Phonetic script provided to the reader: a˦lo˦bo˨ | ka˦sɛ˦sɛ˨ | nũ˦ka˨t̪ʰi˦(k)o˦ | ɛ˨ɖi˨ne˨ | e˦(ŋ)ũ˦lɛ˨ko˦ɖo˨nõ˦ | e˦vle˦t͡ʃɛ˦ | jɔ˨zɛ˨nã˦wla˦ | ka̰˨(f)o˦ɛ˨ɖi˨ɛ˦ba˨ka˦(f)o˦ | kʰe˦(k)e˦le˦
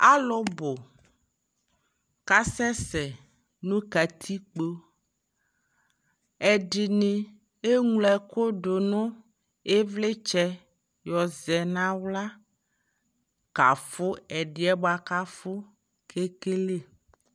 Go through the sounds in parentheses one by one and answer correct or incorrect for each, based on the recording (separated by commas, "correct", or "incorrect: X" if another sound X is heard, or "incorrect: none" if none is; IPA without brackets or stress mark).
incorrect: k͡p, correct, correct, correct, correct